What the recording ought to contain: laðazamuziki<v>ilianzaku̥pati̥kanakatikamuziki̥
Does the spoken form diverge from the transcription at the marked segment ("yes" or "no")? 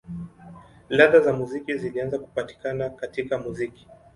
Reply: yes